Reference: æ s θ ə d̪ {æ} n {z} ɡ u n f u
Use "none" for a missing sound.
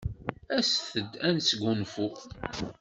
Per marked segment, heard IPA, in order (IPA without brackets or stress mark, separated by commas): æ, s